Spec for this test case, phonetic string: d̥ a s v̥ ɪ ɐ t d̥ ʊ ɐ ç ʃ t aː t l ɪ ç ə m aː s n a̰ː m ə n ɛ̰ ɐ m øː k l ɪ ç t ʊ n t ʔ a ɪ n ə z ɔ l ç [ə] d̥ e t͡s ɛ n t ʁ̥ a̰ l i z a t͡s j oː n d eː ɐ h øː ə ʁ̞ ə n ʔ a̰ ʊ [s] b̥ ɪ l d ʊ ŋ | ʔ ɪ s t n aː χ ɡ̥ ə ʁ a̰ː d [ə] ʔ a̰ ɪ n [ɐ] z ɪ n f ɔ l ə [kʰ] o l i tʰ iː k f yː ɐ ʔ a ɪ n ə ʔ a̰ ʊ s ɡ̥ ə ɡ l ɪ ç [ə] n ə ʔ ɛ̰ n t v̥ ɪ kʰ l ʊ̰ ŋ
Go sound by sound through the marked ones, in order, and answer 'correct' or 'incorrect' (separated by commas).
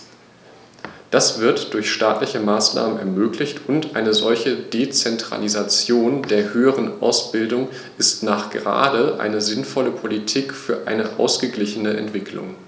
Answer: correct, correct, correct, incorrect, incorrect, correct